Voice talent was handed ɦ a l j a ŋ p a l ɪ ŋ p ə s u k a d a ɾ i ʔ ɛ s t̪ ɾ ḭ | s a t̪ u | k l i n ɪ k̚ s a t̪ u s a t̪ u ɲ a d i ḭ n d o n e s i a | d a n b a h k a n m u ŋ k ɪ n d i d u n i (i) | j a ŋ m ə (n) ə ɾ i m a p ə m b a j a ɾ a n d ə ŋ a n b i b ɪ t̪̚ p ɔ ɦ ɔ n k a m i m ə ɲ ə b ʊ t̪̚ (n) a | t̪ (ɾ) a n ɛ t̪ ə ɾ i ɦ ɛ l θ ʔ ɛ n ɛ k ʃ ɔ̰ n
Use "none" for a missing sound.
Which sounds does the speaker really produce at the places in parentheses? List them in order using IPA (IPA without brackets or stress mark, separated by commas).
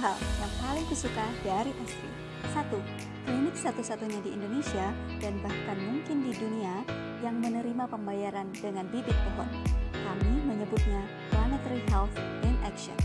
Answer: a, n, ɲ, l